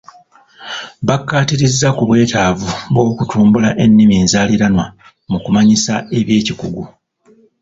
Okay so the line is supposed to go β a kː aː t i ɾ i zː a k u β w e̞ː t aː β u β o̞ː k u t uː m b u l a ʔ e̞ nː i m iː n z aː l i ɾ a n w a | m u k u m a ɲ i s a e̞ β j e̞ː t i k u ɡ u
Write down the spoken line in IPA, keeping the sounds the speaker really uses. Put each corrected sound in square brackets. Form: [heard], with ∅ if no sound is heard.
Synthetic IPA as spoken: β a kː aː t i ɾ i zː a k u β w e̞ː t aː [v] u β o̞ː k u t uː m b u l a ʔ e̞ nː i m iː n z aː l i ɾ a n w a | m u k u m a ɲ i s a e̞ β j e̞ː [c] i k u ɡ u